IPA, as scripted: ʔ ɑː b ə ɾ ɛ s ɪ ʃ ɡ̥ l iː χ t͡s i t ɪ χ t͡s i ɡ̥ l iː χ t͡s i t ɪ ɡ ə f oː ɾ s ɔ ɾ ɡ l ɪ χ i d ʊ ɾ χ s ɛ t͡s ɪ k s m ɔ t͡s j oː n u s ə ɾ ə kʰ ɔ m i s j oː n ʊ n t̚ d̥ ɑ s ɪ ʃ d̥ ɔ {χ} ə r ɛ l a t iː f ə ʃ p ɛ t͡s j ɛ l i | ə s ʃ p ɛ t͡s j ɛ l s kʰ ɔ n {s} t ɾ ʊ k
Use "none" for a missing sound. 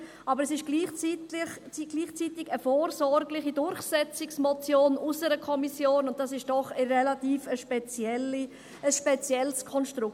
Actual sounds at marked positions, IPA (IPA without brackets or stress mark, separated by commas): χ, ʃ